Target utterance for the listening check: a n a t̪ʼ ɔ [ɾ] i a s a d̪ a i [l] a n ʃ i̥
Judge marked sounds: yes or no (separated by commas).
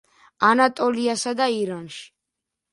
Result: no, no